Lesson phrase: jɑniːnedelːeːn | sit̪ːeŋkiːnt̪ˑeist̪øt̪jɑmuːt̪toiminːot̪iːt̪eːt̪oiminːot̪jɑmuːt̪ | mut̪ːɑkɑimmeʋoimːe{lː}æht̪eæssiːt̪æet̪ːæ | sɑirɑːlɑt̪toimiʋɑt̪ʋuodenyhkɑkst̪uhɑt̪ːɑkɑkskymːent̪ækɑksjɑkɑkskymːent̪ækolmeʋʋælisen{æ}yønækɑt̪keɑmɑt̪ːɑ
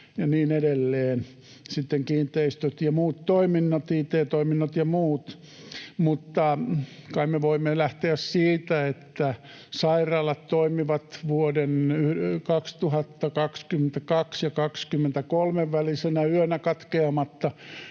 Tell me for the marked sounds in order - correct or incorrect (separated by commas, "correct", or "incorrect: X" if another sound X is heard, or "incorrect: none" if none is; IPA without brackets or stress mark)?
incorrect: l, correct